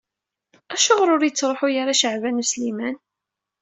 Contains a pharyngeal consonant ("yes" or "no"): yes